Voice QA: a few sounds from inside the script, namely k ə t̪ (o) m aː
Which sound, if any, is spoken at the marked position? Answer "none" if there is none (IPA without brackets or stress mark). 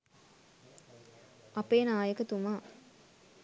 u